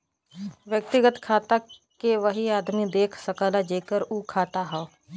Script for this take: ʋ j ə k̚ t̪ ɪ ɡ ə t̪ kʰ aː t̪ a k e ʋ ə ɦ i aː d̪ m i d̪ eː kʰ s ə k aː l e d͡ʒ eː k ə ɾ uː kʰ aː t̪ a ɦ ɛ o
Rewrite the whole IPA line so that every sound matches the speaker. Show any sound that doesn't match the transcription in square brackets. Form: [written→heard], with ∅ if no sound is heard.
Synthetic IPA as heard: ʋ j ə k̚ t̪ ɪ ɡ ə t̪ kʰ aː t̪ a k e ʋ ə ɦ i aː d̪ m i d̪ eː kʰ s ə k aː l [e→a] d͡ʒ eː k ə ɾ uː kʰ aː t̪ a ɦ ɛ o